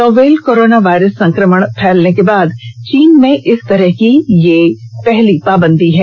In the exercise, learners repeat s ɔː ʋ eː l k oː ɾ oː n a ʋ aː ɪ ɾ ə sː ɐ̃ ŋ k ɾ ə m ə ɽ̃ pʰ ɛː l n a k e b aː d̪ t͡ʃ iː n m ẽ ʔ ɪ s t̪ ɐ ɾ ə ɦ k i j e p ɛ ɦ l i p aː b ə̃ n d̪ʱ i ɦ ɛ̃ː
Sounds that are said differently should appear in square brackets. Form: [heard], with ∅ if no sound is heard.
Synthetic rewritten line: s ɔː ʋ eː l k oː ɾ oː n a ʋ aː ɪ ɾ ə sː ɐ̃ ŋ k ɾ ə m ə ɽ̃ pʰ ɛː l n [e] k e b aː d̪ t͡ʃ iː n m ẽ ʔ ɪ s t̪ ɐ ɾ ə ɦ k i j e p ɛ ɦ l i p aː b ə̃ n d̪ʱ i ɦ [ɛː]

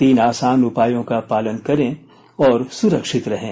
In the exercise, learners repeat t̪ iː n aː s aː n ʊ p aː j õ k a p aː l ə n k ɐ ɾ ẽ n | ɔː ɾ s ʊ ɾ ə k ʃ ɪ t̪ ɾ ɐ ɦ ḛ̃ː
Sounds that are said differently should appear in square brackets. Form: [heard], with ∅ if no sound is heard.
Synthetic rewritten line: t̪ iː n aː s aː n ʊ p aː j õ k a p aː l ə n k ɐ ɾ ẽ [∅] | ɔː ɾ s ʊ ɾ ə k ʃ ɪ t̪ ɾ ɐ ɦ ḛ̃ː

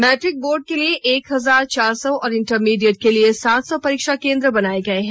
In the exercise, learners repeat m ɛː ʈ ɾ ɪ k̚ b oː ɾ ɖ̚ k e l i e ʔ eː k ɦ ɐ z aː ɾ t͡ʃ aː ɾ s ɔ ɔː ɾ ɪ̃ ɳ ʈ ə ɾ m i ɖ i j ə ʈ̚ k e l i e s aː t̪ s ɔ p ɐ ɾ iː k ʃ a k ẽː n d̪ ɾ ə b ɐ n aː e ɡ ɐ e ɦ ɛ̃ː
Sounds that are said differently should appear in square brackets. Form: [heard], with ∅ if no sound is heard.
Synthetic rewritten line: m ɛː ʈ ɾ ɪ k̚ b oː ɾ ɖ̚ k e l i e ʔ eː k ɦ ɐ z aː ɾ t͡ʃ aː ɾ s ɔ ɔː ɾ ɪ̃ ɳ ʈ ə ɾ m [iː] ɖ i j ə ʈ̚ k e l i e s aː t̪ s ɔ p ɐ ɾ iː k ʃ a k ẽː n d̪ ɾ ə b ɐ n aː e ɡ ɐ e ɦ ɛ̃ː

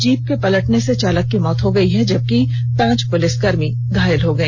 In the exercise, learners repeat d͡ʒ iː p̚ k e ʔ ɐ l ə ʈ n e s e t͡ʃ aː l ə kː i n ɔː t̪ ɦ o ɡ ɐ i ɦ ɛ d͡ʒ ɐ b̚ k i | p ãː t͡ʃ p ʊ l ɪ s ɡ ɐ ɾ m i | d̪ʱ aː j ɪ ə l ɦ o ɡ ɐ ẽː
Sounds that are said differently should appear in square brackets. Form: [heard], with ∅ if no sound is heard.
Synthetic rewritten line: d͡ʒ iː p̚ k e [p] ɐ l ə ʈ n e s e t͡ʃ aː l ə kː i [m] ɔː t̪ ɦ o ɡ ɐ i ɦ ɛ d͡ʒ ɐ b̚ k i | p ãː t͡ʃ p ʊ l ɪ s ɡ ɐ ɾ m i | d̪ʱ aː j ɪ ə l ɦ o ɡ ɐ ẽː

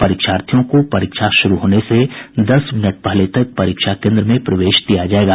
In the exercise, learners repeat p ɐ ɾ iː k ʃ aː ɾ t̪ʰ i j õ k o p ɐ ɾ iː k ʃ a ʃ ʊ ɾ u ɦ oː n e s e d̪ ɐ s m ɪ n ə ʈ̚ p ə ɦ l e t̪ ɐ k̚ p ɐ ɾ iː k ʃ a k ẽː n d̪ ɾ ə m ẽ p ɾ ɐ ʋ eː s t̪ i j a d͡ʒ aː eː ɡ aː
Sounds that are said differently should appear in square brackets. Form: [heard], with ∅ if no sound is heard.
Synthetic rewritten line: p ɐ ɾ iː k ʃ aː ɾ t̪ʰ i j õ k o p ɐ ɾ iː k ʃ a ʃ ʊ ɾ u ɦ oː n e s e d̪ ɐ s m ɪ n ə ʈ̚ p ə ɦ l e t̪ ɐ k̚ p ɐ ɾ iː k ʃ a k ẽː n d̪ ɾ ə m ẽ p ɾ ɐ ʋ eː [ʃ] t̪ i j a d͡ʒ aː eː ɡ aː

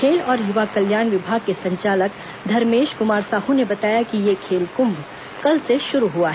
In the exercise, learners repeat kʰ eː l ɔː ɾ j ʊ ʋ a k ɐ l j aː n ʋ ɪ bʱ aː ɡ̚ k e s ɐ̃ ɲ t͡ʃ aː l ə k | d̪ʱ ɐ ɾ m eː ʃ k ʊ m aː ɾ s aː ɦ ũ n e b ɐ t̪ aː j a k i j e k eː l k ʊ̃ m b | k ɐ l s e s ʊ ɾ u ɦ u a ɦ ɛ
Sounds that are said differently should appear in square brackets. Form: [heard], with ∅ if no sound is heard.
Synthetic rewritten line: kʰ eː l ɔː ɾ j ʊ ʋ a k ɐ l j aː n ʋ ɪ bʱ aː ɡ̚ k e s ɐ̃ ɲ t͡ʃ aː l ə k | d̪ʱ ɐ ɾ m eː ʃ k ʊ m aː ɾ s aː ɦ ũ n e b ɐ t̪ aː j a k i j e [kʰ] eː l k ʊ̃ m b | k ɐ l s e [ʃ] ʊ ɾ u ɦ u a ɦ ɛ

